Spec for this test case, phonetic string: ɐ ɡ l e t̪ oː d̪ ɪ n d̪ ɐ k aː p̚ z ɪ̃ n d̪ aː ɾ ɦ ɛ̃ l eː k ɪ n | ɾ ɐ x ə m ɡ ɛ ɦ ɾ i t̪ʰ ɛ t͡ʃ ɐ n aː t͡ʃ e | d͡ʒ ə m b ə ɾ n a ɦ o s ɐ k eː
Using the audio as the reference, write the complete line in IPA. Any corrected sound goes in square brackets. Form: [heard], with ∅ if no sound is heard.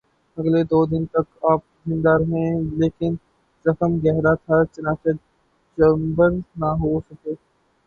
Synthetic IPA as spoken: ɐ ɡ l e [d̪] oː d̪ ɪ n [t̪] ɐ k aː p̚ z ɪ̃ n d̪ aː ɾ ɦ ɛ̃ l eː k ɪ n | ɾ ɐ x ə m ɡ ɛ ɦ ɾ [a] t̪ʰ [a] t͡ʃ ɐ n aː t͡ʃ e | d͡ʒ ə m b ə ɾ n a ɦ o s ɐ k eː